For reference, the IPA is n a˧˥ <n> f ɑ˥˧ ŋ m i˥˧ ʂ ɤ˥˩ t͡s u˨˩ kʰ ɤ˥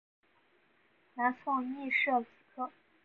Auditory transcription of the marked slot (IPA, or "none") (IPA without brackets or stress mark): n